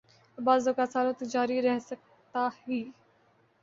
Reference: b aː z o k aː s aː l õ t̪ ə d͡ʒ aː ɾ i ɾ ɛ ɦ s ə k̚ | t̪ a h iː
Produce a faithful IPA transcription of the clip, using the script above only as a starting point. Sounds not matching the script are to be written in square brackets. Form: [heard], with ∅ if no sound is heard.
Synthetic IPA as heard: b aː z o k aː s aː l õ t̪ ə d͡ʒ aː ɾ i ɾ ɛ ɦ s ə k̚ | t̪ a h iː